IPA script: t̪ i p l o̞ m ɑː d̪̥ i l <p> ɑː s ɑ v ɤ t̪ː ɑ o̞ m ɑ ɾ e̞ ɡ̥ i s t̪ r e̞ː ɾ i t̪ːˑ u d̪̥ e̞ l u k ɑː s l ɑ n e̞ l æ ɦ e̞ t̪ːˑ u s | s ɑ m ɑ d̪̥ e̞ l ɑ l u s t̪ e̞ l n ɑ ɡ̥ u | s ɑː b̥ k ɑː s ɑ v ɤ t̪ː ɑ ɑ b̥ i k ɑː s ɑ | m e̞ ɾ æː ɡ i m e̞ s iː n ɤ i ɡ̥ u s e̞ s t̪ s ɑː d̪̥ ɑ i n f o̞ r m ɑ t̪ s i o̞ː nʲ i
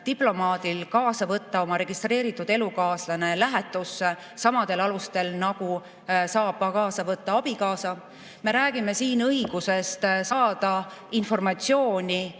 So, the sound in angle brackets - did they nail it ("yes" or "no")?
no